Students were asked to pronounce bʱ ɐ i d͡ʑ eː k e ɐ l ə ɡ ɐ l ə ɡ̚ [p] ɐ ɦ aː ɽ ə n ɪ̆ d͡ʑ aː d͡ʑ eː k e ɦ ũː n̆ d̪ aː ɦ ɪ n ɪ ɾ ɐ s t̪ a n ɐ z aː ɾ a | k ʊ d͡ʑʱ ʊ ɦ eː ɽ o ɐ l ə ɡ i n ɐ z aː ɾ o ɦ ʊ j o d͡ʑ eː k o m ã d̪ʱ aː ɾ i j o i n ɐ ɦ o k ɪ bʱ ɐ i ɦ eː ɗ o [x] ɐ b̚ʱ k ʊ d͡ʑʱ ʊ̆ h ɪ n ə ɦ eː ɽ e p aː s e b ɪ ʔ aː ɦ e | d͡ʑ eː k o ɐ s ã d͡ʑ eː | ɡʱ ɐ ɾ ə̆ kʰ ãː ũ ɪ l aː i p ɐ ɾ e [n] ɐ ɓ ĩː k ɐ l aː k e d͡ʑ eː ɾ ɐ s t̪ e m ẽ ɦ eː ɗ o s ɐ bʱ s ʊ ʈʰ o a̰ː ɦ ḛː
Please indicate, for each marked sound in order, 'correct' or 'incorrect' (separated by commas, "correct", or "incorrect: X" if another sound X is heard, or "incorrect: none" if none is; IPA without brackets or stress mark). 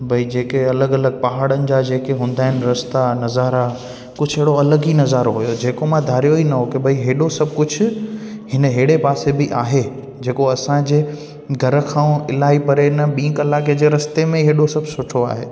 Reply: correct, incorrect: s, correct